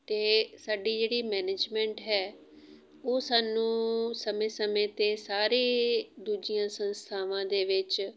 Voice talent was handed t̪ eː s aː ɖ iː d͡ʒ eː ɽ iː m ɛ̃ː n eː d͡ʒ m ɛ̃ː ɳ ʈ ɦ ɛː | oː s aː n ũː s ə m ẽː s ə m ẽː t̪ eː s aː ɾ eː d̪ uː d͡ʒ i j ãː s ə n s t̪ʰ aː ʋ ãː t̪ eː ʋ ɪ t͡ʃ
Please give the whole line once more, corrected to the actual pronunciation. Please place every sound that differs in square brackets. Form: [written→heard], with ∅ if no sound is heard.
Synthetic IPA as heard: t̪ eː s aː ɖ iː d͡ʒ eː ɽ iː m [ɛ̃ː→ɛː] n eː d͡ʒ m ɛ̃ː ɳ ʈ ɦ ɛː | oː s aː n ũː s ə m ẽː s ə m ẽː t̪ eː s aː ɾ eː d̪ uː d͡ʒ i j ãː s ə n s t̪ʰ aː ʋ ãː [t̪→d̪] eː ʋ ɪ t͡ʃ